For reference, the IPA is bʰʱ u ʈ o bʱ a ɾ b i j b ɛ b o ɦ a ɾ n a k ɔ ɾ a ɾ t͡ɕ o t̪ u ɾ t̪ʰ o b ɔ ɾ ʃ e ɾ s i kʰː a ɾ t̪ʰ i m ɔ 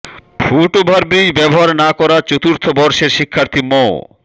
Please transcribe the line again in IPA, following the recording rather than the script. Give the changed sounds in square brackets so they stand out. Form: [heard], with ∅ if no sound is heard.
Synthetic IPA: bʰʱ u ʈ o bʱ a ɾ b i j b ɛ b o ɦ a ɾ n a k ɔ ɾ a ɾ t͡ɕ o t̪ u ɾ t̪ʰ o b ɔ ɾ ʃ e ɾ [ʃ] i kʰː a ɾ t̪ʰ i m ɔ